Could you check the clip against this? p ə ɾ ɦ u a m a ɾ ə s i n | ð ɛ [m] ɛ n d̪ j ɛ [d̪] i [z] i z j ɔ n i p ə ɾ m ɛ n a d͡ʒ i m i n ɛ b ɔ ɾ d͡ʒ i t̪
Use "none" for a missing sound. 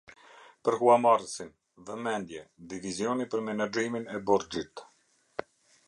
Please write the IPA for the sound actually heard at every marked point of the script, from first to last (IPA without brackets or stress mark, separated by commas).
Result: m, d̪, v